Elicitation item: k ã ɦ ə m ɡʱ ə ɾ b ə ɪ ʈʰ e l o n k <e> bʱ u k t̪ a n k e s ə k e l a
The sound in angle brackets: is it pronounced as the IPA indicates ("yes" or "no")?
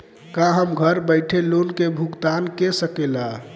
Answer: yes